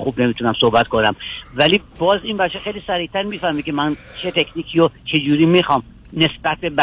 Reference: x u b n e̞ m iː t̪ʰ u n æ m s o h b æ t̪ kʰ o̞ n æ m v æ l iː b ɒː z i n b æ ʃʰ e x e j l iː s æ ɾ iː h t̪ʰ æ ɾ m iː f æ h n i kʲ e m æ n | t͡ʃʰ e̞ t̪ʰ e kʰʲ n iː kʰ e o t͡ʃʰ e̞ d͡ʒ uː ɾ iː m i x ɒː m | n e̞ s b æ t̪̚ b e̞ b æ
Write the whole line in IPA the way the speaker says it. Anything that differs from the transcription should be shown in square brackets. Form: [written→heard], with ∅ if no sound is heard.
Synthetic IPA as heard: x u b n e̞ m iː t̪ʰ u n æ m s o h b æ t̪ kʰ o̞ n æ m v æ l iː b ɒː z i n b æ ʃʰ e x e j l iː s æ ɾ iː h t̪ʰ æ ɾ m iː f æ h [n→m] i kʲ e m æ n | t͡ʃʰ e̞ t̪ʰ e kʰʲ n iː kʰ [e→i] o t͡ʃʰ e̞ d͡ʒ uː ɾ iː m i x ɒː m | n e̞ s b æ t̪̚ b e̞ b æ